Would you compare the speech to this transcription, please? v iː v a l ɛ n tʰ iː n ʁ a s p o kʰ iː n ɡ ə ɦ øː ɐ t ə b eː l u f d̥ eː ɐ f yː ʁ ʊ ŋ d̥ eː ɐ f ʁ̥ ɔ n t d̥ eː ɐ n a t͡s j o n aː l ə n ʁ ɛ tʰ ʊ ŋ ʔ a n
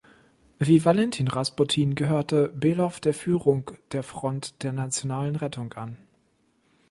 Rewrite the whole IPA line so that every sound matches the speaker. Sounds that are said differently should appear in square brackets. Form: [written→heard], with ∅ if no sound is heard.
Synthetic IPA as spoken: v iː v a l ɛ n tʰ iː n ʁ a s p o [kʰ→tʰ] iː n ɡ ə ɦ øː ɐ t ə b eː l [u→ɔ] f d̥ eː ɐ f yː ʁ ʊ ŋ d̥ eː ɐ f ʁ̥ ɔ n t d̥ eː ɐ n a t͡s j o n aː l ə n ʁ ɛ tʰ ʊ ŋ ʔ a n